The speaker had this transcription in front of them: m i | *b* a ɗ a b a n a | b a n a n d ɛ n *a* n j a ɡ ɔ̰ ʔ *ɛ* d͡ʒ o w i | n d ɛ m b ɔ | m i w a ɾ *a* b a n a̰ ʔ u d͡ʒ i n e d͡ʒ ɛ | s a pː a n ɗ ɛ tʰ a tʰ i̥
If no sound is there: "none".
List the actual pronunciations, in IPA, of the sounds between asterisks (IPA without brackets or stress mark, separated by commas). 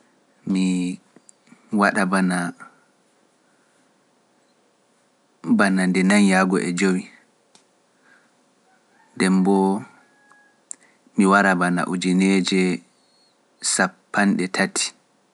w, a, ɛ, a